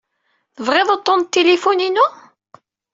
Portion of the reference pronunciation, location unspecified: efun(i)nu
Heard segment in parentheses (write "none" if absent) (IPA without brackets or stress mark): i